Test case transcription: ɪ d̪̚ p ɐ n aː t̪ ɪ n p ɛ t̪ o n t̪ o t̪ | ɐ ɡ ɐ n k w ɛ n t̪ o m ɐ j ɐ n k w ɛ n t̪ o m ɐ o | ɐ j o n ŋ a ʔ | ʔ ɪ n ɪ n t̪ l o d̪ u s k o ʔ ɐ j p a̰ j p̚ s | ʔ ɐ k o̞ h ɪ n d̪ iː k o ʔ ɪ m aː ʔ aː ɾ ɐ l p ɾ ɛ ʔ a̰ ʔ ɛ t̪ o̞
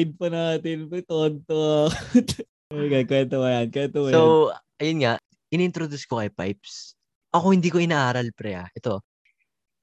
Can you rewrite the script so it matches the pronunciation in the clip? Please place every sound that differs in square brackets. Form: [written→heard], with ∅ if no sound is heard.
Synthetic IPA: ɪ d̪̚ p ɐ n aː t̪ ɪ n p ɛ t̪ o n t̪ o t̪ | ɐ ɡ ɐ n k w ɛ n t̪ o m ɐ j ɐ n k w ɛ n t̪ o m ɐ o | ɐ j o n ŋ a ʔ | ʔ ɪ n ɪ n t̪ [l→ɾ] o d̪ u s k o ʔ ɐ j p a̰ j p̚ s | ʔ ɐ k o̞ h ɪ n d̪ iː k o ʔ ɪ [m→n] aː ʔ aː ɾ ɐ l p ɾ ɛ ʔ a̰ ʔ ɛ t̪ o̞